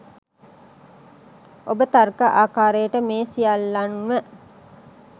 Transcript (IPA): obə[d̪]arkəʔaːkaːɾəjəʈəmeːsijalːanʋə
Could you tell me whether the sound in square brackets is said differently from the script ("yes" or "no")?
yes